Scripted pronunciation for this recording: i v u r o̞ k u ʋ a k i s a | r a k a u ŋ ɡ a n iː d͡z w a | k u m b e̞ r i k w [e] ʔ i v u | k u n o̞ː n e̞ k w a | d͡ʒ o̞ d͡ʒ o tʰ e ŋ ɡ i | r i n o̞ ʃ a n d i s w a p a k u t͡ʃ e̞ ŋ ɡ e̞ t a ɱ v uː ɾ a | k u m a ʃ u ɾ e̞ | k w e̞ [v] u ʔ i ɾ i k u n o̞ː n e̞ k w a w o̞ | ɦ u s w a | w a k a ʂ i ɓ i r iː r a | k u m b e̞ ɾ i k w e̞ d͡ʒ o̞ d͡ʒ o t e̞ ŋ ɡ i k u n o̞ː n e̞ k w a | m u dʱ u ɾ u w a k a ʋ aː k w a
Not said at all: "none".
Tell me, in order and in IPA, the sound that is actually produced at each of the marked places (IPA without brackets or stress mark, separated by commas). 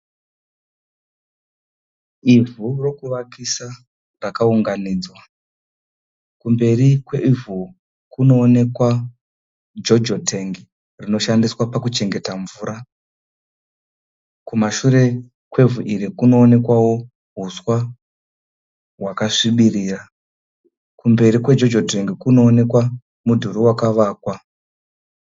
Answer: e, v